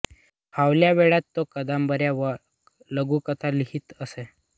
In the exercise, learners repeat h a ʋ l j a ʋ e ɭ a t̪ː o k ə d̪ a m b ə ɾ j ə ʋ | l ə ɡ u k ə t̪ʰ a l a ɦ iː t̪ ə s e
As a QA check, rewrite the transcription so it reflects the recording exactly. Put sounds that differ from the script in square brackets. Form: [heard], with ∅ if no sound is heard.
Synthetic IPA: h a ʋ l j a ʋ e ɭ a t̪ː o k ə d̪ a m b ə ɾ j [a] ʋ | l ə ɡ u k ə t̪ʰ a l [i] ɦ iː t̪ ə s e